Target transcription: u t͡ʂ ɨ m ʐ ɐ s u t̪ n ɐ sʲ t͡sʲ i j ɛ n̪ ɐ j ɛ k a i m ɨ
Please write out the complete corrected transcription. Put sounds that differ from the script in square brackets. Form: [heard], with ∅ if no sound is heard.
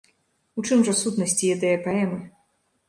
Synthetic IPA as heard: u t͡ʂ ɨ m ʐ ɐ s u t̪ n ɐ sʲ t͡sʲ i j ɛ [d̪] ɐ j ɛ [p] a [ɛ] m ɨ